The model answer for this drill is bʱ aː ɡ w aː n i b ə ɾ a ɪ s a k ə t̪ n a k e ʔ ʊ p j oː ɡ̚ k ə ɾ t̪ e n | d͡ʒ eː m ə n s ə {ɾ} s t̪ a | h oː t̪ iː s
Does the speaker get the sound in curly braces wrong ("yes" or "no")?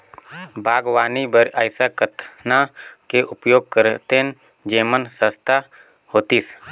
yes